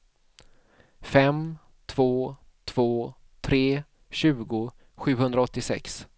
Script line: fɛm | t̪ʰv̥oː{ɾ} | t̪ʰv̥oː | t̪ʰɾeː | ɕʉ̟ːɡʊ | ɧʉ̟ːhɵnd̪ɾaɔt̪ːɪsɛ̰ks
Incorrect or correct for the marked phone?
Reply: incorrect: none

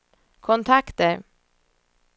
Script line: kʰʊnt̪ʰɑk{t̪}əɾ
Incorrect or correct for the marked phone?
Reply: correct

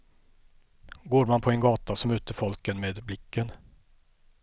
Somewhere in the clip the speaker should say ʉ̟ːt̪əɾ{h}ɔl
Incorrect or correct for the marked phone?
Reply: incorrect: f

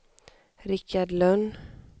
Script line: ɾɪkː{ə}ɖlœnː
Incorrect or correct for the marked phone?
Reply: incorrect: a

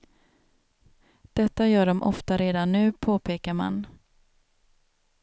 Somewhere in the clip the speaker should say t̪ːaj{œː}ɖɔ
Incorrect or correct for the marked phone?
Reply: correct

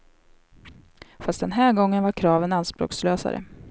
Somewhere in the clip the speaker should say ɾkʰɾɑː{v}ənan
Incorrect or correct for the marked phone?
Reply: correct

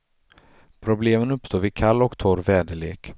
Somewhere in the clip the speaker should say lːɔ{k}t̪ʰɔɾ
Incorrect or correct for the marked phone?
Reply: correct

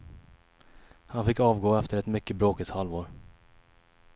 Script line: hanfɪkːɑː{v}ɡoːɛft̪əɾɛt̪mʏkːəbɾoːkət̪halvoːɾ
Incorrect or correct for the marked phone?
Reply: correct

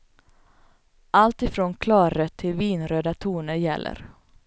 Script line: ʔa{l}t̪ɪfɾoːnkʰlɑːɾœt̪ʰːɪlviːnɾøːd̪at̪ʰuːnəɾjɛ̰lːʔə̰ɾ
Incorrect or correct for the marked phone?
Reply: correct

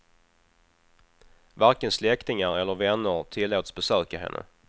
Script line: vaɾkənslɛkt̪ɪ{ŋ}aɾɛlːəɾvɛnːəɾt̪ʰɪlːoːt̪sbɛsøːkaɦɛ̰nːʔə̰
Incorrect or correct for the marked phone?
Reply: correct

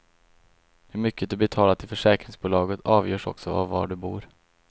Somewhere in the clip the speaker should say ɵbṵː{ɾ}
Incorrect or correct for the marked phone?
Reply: correct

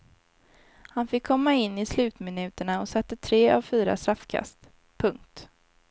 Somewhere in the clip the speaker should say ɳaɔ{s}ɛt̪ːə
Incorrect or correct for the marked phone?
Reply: correct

